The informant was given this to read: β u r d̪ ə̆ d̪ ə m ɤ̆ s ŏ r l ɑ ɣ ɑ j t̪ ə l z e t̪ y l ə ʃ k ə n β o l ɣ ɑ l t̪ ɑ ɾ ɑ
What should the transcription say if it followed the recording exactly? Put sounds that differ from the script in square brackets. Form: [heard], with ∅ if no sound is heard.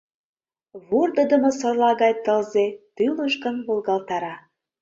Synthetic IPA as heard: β u r d̪ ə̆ d̪ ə m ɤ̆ s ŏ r l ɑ ɣ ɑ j t̪ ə l z e t̪ y l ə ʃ k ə n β o l ɣ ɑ l t̪ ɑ ɾ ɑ